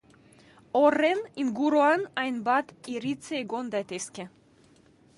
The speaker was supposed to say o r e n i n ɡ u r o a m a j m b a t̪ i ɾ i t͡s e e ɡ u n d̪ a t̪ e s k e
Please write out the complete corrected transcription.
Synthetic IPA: o r e n i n ɡ u ɾ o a n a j n b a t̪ i ɾ i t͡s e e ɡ o n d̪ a t̪ e s k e